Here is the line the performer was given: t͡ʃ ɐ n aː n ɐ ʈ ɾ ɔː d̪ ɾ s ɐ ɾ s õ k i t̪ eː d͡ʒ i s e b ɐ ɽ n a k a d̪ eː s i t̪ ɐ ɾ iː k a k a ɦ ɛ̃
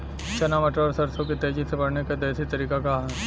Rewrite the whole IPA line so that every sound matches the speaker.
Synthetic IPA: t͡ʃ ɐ n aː m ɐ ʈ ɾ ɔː ɾ s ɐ ɾ s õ k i t̪ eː d͡ʒ i s e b ɐ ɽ n e k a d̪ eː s i t̪ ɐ ɾ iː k a k a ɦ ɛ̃